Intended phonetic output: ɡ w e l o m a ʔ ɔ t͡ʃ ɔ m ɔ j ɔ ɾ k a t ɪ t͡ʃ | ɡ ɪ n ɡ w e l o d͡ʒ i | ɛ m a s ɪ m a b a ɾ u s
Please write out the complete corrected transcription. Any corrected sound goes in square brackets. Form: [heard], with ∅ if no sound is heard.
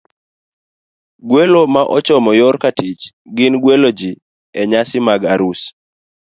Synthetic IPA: ɡ w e l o m a ʔ ɔ t͡ʃ ɔ m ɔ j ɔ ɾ k a t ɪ t͡ʃ | ɡ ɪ n ɡ w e l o d͡ʒ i | ɛ [ɲ] a s ɪ m a [ɡ] a ɾ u s